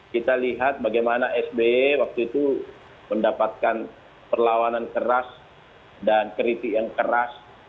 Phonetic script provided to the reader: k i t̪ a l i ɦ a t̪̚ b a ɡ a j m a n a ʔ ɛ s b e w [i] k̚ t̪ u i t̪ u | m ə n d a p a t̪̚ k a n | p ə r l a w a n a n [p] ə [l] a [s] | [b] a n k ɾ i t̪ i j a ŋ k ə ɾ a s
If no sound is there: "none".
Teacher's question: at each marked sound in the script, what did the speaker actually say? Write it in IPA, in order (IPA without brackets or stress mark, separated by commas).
a, k, ɾ, s, d